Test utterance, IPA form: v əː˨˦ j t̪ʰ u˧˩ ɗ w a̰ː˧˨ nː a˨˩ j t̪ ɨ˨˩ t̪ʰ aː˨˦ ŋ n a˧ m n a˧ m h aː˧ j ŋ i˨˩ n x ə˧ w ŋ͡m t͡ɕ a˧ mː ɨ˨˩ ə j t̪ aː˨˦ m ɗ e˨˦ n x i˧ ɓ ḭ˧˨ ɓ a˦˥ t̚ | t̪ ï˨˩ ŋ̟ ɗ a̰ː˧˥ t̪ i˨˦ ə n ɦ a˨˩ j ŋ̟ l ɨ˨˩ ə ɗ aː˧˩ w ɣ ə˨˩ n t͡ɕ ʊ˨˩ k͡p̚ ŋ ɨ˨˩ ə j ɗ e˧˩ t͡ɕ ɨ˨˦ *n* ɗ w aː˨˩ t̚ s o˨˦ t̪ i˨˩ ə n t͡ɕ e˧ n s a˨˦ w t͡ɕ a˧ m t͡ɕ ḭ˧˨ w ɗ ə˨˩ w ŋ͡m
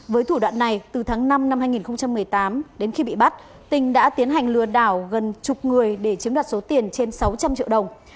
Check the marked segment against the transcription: incorrect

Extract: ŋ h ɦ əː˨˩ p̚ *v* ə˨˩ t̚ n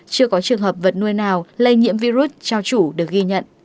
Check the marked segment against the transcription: correct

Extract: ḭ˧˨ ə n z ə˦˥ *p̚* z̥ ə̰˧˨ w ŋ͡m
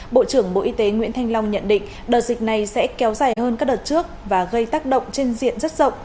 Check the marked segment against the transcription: incorrect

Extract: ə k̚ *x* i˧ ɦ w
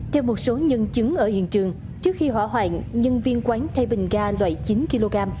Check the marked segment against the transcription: correct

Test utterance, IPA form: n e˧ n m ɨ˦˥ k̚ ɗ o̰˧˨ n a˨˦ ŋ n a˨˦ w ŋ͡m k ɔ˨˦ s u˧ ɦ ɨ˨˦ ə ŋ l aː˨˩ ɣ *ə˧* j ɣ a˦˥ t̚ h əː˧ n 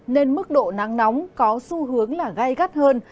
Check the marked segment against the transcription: incorrect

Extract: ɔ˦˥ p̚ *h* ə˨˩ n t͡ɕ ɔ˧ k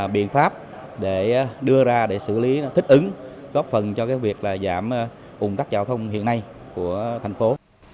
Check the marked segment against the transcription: incorrect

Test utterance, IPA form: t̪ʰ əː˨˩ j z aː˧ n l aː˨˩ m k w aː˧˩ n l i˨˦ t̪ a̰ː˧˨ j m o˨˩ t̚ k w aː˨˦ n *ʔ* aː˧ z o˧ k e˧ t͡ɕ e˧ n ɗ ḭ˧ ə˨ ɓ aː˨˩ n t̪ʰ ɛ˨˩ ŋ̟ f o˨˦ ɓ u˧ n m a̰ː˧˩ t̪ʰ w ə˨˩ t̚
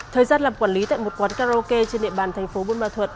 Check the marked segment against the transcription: incorrect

